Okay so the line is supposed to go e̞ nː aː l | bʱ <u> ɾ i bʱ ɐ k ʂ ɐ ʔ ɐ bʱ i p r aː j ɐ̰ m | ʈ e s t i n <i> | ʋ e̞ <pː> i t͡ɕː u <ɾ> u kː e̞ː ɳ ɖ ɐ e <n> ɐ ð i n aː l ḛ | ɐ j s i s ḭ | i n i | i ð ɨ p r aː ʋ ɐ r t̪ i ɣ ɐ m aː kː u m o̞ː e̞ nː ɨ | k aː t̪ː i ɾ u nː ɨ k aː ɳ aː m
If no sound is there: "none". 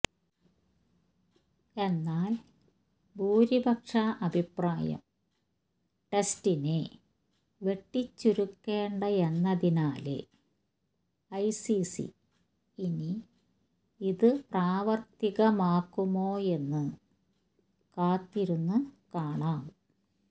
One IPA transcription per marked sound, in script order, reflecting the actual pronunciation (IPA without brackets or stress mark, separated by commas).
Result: uː, e, ʈː, ɾ, nː